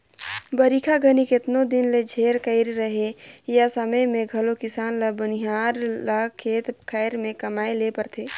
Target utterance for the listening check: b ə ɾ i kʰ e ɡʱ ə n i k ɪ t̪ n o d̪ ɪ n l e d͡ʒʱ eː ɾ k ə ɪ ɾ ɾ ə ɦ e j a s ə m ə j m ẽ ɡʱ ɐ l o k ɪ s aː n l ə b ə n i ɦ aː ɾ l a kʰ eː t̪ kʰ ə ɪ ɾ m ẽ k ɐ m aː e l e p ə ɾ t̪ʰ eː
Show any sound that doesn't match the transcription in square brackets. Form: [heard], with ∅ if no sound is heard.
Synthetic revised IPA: b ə ɾ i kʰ [a] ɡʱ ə n i k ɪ t̪ n o d̪ ɪ n l e d͡ʒʱ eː ɾ k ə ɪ ɾ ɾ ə ɦ e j a s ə m ə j m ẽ ɡʱ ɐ l o k ɪ s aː n l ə b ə n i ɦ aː ɾ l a kʰ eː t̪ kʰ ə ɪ ɾ m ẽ k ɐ m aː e l e p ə ɾ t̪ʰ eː